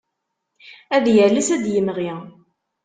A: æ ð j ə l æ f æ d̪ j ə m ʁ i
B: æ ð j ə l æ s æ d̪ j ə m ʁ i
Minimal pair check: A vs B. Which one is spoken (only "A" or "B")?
B